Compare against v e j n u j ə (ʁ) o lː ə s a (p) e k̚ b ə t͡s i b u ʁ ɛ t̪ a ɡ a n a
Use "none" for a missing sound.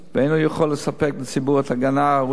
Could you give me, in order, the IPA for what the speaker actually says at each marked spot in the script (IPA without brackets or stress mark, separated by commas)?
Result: χ, p